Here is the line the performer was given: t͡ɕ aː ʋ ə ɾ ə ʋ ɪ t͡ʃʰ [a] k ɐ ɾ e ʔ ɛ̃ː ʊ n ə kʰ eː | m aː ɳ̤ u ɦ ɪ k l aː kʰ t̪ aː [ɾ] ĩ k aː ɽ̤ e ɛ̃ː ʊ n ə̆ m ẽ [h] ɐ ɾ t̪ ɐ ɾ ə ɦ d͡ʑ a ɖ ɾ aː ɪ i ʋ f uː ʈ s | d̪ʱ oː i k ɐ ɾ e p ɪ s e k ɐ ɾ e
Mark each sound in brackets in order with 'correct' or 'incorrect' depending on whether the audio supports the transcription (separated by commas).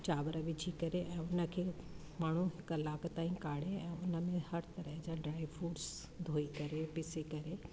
incorrect, incorrect, correct